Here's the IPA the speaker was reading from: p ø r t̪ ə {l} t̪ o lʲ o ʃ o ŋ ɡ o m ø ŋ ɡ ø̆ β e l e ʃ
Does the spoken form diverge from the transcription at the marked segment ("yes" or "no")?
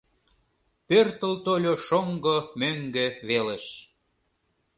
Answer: no